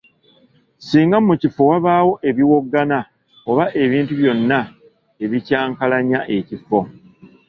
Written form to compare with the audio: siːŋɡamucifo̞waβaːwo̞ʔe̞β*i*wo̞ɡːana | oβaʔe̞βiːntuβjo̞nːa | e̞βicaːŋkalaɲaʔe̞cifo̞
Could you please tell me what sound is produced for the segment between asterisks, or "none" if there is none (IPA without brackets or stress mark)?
i